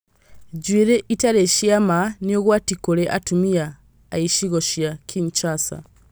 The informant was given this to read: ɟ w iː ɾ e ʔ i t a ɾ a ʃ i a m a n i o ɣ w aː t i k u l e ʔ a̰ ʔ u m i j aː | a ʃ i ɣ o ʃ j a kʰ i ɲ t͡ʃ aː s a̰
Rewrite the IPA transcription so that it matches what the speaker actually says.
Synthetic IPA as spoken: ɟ w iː ɾ e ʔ i t a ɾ e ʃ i a m a n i o ɣ w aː t i k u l e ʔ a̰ t u m i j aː | i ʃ i ɣ o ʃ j a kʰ i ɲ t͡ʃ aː s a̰